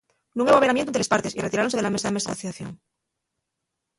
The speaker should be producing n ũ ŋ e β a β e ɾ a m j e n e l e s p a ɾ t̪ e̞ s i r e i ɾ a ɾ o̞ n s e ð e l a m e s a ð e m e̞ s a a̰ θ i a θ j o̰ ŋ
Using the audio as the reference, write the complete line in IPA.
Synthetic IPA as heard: n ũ ŋ e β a β e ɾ a m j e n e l e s p a ɾ t̪ e̞ s i r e i ɾ a ɾ o̞ n s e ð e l a m e s a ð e m e̞ s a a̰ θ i a θ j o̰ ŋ